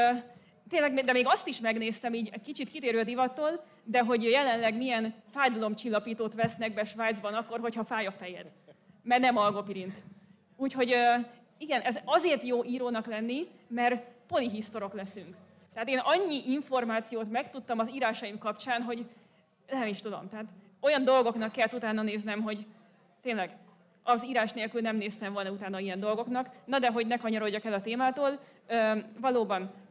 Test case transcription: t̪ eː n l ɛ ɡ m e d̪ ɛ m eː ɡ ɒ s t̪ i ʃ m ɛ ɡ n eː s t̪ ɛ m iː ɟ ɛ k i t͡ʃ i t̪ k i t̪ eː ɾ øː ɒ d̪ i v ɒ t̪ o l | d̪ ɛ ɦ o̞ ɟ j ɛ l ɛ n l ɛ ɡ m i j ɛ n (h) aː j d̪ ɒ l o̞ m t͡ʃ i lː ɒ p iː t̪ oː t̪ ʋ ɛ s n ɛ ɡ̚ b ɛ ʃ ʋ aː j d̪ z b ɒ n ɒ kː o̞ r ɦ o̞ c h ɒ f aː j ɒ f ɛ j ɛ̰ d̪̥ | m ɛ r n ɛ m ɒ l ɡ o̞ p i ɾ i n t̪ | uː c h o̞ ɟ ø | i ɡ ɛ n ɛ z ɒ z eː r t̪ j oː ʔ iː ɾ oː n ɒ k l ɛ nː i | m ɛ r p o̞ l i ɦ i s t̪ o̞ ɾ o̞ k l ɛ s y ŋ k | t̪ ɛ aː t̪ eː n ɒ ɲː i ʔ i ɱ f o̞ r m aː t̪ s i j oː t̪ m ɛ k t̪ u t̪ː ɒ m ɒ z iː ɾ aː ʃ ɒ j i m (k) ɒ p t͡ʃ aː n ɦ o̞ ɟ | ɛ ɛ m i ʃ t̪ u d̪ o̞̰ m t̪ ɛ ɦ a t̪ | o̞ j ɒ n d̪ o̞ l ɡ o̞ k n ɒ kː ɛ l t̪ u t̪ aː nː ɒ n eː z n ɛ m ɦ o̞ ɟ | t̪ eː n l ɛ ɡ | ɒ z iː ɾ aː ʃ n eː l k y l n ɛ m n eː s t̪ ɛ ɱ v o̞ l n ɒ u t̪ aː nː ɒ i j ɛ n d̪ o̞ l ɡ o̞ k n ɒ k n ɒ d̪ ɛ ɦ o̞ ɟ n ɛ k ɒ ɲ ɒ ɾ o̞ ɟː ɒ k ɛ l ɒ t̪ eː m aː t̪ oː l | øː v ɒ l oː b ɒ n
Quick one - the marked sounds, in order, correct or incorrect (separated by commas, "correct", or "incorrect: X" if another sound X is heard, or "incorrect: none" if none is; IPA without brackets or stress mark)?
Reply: incorrect: f, correct